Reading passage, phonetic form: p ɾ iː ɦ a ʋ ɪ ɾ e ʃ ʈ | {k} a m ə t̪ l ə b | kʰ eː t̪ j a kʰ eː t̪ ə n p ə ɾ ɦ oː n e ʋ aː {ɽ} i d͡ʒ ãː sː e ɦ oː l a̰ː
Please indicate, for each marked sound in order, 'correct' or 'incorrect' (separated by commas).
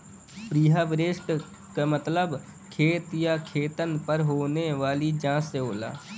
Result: correct, incorrect